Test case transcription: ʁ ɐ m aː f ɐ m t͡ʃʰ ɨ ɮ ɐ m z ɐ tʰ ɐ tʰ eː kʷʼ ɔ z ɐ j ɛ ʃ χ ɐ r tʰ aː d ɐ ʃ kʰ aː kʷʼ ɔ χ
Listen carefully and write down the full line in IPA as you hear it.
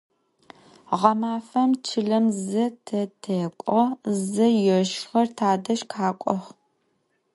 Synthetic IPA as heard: ʁ ɐ m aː f ɐ m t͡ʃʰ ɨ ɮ ɐ m z ɐ tʰ ɐ tʰ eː kʷʼ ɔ z ɐ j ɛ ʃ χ ɐ r tʰ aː d ɐ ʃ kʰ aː kʷʼ ɔ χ